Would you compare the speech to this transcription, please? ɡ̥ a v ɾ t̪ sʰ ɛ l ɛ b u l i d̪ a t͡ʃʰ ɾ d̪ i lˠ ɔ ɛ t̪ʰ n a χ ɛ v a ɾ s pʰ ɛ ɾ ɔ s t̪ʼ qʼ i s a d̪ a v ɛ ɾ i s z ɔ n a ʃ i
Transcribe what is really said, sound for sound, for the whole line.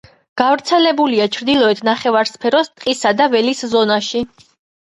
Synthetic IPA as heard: ɡ̥ a v ɾ t̪ sʰ ɛ l ɛ b u l i a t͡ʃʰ ɾ d̪ i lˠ ɔ ɛ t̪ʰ n a χ ɛ v a ɾ s pʰ ɛ ɾ ɔ s t̪ʼ qʼ i s a d̪ a v ɛ l i s z ɔ n a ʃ i